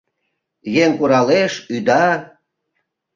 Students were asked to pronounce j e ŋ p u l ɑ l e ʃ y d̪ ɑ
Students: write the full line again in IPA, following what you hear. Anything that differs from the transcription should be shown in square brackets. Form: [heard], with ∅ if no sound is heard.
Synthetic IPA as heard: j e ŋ [k] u [ɾ] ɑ l e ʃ y d̪ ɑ